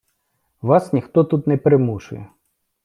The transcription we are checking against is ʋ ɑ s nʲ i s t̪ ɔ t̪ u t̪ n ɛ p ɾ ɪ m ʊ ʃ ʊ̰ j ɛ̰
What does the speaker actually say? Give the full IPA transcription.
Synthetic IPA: ʋ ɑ s nʲ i x t̪ ɔ t̪ u t̪ n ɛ p ɾ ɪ m u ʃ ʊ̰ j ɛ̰